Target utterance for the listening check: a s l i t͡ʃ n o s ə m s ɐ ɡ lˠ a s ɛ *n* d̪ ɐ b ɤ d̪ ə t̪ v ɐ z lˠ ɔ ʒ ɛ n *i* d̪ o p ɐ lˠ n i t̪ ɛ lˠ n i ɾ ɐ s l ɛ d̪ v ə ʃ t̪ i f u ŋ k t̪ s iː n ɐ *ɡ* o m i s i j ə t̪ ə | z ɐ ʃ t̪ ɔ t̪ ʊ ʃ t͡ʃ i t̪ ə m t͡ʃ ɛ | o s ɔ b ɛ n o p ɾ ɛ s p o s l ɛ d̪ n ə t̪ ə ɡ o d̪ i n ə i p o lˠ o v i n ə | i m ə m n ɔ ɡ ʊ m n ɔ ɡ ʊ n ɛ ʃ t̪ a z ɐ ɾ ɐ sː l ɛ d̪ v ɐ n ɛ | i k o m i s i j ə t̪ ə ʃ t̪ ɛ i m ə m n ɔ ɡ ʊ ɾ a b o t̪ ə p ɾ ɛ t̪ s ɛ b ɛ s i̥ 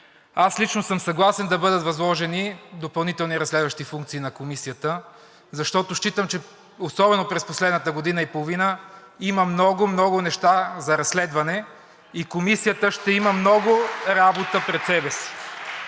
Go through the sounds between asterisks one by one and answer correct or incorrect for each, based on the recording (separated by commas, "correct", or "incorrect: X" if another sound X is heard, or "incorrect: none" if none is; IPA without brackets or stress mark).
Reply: correct, correct, incorrect: k